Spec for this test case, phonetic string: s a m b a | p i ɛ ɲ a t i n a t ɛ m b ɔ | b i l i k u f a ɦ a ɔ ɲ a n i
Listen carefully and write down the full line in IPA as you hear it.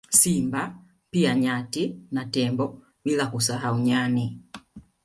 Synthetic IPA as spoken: s i m b a | p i a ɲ a t i n a t ɛ m b ɔ | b i l a k u s a ɦ a u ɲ a n i

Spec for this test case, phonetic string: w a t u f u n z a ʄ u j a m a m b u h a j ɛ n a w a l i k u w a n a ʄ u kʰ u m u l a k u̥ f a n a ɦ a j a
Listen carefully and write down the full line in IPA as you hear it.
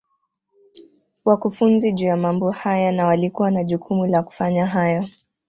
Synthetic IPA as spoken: w a k u f u n z i ʄ u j a m a m b ɔ h a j a n a w a l i k u w a n a ʄ u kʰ u m u l a k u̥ f a ɲ a ɦ a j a

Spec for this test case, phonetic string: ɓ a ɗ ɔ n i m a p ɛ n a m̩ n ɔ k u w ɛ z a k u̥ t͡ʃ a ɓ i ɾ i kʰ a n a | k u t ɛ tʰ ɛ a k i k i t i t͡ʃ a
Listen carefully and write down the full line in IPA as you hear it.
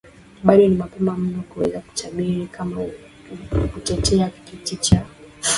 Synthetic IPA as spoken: ɓ a ɗ ɔ n i m a p ɛ m a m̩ n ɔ k u w ɛ z a k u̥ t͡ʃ a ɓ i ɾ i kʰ a m a | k u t ɛ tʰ ɛ a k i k i t i t͡ʃ a

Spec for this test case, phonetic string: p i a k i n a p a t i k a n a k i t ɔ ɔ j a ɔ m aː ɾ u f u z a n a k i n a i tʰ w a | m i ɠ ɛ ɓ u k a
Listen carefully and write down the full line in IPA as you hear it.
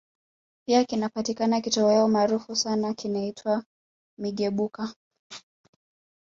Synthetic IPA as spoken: p i a k i n a p a t i k a n a k i t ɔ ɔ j a ɔ m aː ɾ u f u s a n a k i n a i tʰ w a | m i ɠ ɛ ɓ u k a

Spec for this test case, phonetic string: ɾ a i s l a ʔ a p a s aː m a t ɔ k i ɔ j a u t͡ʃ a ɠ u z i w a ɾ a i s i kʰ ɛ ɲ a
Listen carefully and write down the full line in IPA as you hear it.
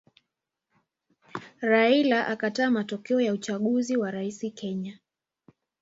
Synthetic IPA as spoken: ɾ a i l a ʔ a k a t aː m a t ɔ k ɛ ɔ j a u t͡ʃ a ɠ u z i w a ɾ a i s i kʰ ɛ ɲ a

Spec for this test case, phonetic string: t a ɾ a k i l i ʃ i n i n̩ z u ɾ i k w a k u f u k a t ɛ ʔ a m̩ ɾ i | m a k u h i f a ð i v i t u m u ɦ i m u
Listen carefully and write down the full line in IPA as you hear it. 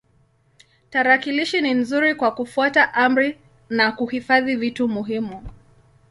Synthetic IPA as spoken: t a ɾ a k i l i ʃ i n i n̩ z u ɾ i k w a k u f u a t a ʔ a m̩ ɾ i | n a k u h i f a ð i v i t u m u ɦ i m u

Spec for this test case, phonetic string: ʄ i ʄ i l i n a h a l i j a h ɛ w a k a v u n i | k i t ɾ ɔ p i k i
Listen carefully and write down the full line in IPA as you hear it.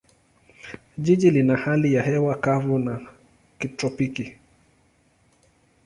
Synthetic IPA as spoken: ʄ i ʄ i l i n a h a l i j a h ɛ w a k a v u n a | k i t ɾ ɔ p i k i

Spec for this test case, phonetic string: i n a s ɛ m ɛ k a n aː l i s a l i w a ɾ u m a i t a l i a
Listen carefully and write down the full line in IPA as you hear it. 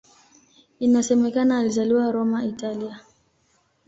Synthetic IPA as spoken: i n a s ɛ m ɛ k a n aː l i z a l i w a ɾ ɔ m a i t a l i a

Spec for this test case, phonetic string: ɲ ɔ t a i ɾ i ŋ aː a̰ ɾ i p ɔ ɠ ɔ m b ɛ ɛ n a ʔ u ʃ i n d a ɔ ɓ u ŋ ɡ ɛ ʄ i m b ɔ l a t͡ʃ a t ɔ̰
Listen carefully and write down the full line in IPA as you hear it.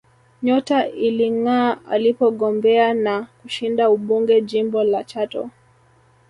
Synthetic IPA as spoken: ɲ ɔ t a i l i ŋ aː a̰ l i p ɔ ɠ ɔ m b ɛ a n a k u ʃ i n d a u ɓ u ŋ ɡ ɛ ʄ i m b ɔ l a t͡ʃ a t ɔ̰

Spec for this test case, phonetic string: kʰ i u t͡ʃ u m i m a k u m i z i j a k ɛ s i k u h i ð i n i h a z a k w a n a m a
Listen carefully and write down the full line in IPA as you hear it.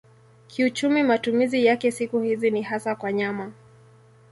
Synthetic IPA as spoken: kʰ i u t͡ʃ u m i m a t u m i z i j a k ɛ s i k u h i z i n i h a s a k w a ɲ a m a

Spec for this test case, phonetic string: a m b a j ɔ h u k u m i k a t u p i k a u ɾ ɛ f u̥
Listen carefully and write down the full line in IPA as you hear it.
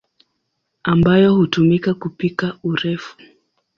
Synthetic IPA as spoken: a m b a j ɔ h u t u m i k a k u p i k a u ɾ ɛ f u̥

